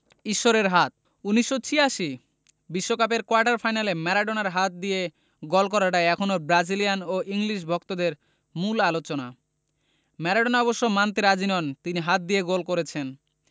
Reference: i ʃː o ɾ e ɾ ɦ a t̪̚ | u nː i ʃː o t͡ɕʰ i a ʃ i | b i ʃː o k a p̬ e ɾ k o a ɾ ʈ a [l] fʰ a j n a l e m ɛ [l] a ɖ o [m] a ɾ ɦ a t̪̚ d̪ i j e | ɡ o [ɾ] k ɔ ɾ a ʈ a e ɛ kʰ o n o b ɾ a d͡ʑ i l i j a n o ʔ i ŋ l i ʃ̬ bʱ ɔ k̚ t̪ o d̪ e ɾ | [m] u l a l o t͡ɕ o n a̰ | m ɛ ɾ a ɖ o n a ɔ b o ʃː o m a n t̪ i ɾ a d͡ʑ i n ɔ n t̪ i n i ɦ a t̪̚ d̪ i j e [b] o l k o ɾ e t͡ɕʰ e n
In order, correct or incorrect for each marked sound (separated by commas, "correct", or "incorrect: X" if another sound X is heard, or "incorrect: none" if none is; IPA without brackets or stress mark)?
incorrect: ɾ, incorrect: ɾ, incorrect: n, incorrect: l, correct, incorrect: ɡ